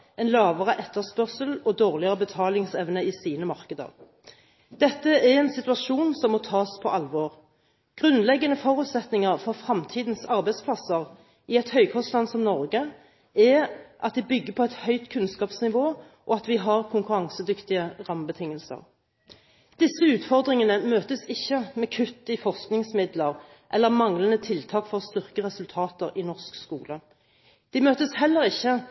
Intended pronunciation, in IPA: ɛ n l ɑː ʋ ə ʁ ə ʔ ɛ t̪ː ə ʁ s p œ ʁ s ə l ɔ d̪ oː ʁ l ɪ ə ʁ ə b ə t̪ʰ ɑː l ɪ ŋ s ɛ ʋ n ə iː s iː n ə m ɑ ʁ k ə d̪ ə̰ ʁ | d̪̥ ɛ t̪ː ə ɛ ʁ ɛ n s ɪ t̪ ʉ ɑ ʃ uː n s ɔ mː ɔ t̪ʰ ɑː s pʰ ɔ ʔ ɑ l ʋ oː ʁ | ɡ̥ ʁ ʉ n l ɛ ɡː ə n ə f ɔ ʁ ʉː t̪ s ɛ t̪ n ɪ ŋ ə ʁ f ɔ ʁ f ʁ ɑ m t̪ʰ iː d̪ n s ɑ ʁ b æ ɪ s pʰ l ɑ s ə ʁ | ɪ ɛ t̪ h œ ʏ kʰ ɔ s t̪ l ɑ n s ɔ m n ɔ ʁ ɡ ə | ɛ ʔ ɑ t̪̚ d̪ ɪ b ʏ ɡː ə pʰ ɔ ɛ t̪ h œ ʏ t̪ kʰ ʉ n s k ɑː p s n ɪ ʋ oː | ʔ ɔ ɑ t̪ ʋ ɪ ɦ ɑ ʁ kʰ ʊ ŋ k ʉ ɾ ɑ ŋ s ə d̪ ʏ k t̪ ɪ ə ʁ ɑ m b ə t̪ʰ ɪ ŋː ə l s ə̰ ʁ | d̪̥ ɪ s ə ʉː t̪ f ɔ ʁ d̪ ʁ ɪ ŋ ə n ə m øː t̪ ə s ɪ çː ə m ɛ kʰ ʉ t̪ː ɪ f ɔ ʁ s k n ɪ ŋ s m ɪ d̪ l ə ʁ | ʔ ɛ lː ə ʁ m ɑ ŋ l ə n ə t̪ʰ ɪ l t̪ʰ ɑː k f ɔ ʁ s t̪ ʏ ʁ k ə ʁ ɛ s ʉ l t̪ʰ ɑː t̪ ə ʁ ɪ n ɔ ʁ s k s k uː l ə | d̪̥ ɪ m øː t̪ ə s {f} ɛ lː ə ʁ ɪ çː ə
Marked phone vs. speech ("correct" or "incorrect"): incorrect